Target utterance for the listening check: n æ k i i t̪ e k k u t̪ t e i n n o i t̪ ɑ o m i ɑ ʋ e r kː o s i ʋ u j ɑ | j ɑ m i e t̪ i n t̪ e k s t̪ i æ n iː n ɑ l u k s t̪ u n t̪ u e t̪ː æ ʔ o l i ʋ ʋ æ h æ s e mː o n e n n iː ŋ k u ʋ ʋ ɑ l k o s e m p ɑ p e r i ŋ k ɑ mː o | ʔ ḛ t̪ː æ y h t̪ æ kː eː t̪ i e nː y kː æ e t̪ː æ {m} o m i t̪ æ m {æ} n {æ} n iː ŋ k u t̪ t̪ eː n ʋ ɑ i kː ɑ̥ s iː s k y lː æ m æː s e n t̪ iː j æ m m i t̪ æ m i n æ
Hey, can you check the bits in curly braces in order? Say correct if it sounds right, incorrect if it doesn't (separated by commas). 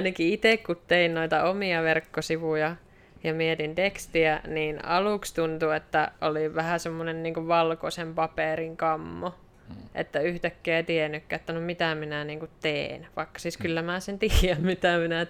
incorrect, incorrect, correct